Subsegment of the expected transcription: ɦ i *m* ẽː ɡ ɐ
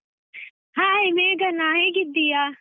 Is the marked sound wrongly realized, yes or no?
no